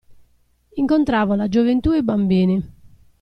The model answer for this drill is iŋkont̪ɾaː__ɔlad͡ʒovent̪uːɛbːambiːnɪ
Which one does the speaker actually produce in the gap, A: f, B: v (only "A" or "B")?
B